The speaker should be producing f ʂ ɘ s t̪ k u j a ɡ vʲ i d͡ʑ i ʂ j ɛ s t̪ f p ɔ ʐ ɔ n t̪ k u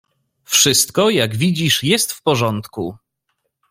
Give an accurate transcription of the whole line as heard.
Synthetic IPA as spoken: f ʂ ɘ s t̪ k ɔ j a ɡ vʲ i d͡ʑ i ʂ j ɛ s t̪ f p ɔ ʐ ɔ n t̪ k u